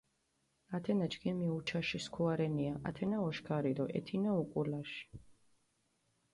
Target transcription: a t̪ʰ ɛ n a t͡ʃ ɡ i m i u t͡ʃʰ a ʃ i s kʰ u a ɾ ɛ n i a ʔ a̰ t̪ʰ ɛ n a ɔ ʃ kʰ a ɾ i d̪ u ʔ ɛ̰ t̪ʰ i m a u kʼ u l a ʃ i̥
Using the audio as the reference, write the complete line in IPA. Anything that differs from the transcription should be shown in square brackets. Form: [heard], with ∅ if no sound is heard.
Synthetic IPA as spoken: a t̪ʰ ɛ n a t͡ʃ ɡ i m i u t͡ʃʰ a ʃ i s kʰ u a ɾ ɛ n i a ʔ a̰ t̪ʰ ɛ n a ɔ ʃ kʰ a ɾ i d̪ [ɔ] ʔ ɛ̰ t̪ʰ i [n] a u kʼ u l a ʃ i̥